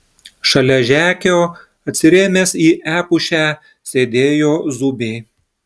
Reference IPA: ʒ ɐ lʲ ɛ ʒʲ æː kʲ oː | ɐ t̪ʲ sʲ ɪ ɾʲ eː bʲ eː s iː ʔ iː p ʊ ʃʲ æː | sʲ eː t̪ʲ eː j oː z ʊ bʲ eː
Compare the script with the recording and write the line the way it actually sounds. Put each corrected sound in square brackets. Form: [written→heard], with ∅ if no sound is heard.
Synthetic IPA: [ʒ→ʃ] ɐ lʲ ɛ ʒʲ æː kʲ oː | ɐ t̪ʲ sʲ ɪ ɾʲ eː [bʲ→mʲ] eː s iː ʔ [iː→æː] p ʊ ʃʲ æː | sʲ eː [t̪ʲ→d̪ʲ] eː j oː z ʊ bʲ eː